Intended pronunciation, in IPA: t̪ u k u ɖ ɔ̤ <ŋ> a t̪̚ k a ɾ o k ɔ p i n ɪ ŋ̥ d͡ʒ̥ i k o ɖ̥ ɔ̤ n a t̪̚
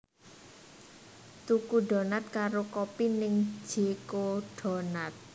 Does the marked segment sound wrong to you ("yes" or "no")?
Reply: yes